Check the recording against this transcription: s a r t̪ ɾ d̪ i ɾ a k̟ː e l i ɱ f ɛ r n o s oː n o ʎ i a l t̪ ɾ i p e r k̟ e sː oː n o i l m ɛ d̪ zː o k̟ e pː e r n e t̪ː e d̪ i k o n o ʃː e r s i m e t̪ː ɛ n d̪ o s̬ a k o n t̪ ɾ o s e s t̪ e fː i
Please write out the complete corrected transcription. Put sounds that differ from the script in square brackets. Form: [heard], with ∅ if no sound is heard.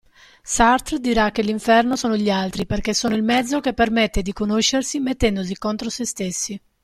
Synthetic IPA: s a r t̪ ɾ d̪ i ɾ a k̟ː e l i ɱ f ɛ r n o s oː n o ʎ i a l t̪ ɾ i p e r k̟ e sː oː n o i l m ɛ d̪ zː o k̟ e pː e r [m] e t̪ː e d̪ i k o n o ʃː e r s i m e t̪ː ɛ n d̪ o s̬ [i] k o n t̪ ɾ o s e s t̪ e [sː] i